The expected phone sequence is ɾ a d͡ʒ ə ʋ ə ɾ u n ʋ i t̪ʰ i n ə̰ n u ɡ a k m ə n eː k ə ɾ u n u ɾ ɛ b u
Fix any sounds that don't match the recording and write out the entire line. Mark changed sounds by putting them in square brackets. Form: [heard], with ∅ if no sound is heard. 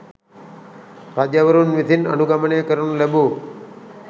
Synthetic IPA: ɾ a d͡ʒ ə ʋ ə ɾ u n ʋ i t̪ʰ i n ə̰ n u ɡ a [∅] m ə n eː k ə ɾ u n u [l] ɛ b u